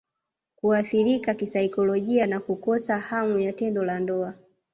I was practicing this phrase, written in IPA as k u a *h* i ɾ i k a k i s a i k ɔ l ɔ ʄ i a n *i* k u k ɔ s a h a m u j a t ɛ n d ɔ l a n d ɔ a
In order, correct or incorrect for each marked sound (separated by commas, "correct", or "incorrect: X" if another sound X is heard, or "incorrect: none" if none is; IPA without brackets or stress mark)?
incorrect: θ, incorrect: a